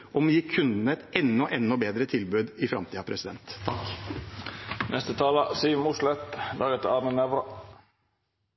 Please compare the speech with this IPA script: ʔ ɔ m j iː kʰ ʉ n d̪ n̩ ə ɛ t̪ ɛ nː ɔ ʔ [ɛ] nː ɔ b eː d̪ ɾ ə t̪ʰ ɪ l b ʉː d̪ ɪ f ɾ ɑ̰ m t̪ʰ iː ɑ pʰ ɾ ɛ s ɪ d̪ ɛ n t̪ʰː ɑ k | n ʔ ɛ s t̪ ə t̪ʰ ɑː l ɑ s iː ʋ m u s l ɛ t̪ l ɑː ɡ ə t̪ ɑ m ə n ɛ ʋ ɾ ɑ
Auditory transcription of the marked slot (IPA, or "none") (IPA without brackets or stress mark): ɛ